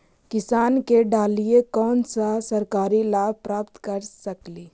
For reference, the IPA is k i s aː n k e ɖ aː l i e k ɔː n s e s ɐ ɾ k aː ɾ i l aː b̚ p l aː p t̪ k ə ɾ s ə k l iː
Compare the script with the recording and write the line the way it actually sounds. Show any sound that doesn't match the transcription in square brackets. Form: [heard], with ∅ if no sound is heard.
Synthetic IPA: k [ɪ] s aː n k e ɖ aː l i e k ɔː n s [a] s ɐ ɾ k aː ɾ i l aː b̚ p [ɾ] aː p t̪ k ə ɾ s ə k l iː